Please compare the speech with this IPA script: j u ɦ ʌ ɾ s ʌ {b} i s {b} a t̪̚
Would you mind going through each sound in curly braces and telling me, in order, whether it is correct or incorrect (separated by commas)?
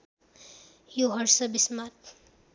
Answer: correct, incorrect